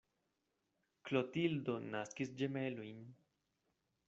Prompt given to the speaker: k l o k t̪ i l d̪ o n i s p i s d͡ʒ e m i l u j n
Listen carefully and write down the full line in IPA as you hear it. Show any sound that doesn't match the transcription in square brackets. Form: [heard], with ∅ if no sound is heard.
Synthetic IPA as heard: k l o [∅] t̪ i l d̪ o n [a] s [k] i s d͡ʒ e m [e] l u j n